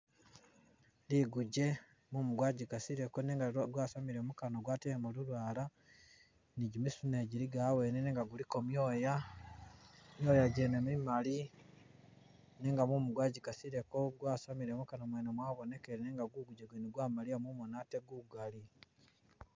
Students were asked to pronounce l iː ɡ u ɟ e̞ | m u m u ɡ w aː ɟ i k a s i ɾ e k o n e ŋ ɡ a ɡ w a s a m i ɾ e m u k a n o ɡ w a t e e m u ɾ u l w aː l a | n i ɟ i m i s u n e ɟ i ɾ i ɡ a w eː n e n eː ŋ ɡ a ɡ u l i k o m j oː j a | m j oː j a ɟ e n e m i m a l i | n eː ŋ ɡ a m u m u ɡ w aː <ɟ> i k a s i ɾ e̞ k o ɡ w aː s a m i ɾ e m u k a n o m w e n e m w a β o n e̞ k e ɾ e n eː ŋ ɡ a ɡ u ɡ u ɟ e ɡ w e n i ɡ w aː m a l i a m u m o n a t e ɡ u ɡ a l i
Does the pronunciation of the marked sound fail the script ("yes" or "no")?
no